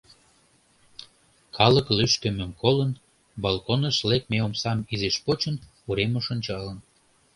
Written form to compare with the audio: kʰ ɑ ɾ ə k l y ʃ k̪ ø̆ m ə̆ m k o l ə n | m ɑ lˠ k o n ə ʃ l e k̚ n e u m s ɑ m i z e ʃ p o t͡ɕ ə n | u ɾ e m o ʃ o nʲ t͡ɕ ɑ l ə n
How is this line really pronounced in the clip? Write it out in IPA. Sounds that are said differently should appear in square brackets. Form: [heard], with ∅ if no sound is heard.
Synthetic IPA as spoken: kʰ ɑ [l] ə k l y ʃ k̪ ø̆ m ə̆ m k o l ə n | [b] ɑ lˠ k o n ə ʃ l e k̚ [m] e [o] m s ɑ m i z e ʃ p o t͡ɕ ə n | u ɾ e m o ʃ o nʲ t͡ɕ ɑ l ə n